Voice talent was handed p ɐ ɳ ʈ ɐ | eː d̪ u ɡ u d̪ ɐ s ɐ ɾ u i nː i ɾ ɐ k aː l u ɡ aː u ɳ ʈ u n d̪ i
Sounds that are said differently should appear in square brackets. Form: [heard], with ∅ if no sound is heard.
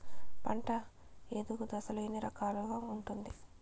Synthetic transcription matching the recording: p ɐ ɳ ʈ ɐ | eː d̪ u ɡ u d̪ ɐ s ɐ [l] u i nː i ɾ ɐ k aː l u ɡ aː u ɳ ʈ u n d̪ i